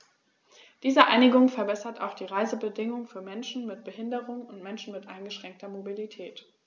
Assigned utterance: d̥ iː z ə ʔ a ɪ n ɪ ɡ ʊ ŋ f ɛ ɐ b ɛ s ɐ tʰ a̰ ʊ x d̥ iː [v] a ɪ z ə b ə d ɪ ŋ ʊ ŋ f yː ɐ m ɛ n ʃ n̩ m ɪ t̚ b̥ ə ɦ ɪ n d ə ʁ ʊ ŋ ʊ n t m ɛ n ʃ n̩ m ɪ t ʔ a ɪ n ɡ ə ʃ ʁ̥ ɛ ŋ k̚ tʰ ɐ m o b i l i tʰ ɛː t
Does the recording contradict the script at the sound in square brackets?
yes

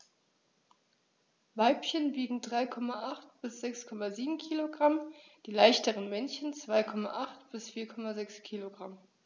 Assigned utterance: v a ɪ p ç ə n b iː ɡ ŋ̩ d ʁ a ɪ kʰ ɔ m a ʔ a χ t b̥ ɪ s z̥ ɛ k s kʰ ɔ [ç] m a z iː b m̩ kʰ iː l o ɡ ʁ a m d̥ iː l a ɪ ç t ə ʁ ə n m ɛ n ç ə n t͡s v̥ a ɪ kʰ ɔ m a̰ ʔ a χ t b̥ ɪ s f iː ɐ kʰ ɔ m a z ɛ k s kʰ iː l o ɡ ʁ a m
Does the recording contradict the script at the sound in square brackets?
yes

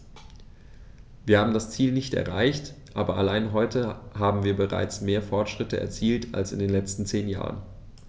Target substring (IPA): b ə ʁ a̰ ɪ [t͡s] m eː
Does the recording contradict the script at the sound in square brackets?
no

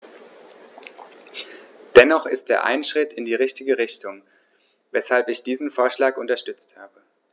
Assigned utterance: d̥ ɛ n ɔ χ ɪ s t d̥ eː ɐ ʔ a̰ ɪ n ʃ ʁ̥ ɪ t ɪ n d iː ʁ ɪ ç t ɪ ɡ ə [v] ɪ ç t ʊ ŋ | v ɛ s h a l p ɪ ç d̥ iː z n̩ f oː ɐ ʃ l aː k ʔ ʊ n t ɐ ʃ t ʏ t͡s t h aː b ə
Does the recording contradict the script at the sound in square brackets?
yes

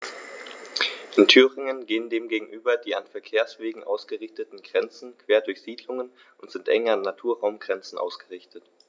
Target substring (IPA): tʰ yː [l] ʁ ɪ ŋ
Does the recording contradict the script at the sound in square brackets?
yes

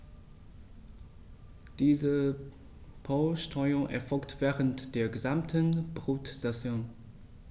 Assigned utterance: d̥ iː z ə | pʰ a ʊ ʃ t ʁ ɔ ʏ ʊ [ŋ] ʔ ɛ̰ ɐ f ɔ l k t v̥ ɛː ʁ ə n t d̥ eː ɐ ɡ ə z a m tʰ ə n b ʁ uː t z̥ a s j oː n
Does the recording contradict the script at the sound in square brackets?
no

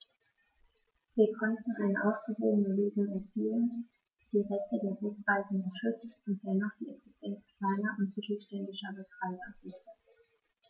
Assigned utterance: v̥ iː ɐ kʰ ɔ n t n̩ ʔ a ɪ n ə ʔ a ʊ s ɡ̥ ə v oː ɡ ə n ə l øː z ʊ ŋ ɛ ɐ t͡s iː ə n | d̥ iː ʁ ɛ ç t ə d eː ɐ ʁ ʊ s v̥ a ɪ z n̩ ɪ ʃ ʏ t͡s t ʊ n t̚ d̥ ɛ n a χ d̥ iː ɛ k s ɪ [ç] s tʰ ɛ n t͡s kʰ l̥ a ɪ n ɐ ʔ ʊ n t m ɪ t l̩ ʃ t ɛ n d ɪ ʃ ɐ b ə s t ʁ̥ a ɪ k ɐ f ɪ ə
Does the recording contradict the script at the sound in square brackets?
yes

